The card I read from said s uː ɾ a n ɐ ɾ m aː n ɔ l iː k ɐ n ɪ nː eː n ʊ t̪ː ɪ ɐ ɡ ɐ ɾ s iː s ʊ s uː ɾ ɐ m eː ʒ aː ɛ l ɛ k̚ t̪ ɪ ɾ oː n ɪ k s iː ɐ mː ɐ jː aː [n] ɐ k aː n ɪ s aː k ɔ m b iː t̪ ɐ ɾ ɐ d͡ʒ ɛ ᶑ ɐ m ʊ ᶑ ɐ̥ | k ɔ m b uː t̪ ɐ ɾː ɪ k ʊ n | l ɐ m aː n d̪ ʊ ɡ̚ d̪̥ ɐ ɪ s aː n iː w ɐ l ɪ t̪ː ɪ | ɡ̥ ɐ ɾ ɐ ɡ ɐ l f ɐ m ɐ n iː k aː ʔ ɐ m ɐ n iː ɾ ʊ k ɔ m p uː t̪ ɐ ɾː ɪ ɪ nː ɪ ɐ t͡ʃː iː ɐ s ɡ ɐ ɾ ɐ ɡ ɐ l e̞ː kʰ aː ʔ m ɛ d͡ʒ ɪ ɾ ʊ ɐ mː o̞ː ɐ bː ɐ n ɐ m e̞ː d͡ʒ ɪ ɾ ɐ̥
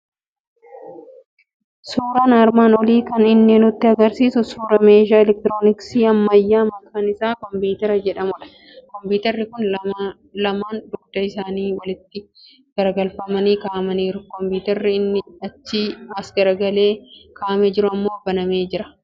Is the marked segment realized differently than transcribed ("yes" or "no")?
yes